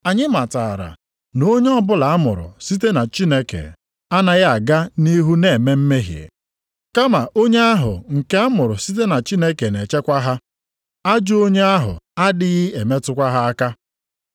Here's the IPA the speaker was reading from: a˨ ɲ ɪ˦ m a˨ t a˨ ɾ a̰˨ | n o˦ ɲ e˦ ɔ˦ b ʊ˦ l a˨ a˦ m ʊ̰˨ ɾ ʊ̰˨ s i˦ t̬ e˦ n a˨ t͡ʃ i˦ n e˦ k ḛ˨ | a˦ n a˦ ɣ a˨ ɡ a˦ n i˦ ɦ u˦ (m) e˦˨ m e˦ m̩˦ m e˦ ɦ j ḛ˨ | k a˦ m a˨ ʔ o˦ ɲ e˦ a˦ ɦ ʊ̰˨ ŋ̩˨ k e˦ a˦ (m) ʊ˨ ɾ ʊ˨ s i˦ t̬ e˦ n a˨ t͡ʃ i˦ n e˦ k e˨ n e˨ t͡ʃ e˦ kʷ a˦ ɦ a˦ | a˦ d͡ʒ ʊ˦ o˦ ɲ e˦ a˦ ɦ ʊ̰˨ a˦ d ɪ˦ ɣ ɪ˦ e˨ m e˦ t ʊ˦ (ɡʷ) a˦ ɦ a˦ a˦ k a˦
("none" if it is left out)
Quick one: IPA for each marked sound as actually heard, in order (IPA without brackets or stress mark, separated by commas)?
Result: n, m, kʷ